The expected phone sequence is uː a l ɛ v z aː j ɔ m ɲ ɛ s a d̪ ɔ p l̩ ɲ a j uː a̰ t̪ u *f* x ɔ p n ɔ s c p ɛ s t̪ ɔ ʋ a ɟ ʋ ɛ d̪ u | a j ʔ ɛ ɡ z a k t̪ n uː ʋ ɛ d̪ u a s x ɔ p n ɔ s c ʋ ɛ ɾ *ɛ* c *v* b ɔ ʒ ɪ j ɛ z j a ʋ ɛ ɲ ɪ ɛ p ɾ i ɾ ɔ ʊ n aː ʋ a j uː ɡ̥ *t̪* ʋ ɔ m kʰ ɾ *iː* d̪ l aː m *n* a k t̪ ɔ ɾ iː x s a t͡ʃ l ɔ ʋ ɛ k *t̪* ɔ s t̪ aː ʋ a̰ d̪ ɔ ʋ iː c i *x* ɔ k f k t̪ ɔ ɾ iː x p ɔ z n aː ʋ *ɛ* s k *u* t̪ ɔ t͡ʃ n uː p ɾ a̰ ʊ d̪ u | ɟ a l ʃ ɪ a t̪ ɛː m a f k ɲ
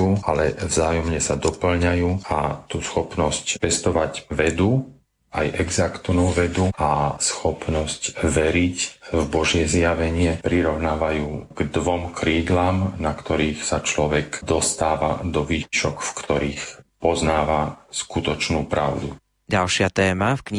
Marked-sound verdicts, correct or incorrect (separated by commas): incorrect, incorrect, correct, incorrect, correct, correct, incorrect, incorrect, incorrect, correct